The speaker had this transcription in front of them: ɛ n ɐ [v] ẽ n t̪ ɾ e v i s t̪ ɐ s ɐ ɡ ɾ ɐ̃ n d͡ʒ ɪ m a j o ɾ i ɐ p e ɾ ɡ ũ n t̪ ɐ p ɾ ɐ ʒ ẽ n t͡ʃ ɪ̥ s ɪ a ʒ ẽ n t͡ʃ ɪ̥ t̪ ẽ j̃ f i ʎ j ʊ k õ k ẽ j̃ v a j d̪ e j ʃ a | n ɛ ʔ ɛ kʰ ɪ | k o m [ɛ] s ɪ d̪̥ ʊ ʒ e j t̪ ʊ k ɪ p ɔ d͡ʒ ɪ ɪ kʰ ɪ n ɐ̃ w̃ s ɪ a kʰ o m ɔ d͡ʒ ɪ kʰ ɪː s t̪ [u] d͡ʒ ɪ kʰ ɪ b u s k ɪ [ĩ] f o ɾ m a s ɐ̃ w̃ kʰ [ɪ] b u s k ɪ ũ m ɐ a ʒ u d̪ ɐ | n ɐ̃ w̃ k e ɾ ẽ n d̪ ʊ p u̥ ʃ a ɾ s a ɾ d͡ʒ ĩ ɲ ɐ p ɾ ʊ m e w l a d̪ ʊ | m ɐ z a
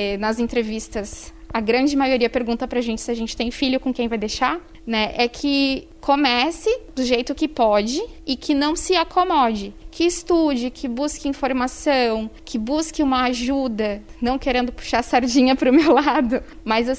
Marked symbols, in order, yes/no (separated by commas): no, yes, yes, yes, yes